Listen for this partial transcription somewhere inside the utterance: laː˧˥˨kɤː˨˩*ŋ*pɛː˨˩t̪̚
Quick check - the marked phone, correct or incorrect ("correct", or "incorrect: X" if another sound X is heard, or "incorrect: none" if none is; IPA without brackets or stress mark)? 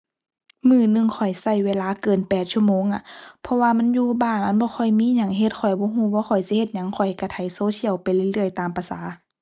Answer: incorrect: n